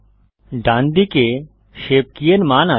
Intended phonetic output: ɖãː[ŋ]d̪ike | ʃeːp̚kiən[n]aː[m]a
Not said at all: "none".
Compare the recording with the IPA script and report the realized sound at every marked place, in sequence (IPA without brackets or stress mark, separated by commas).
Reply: n, m, n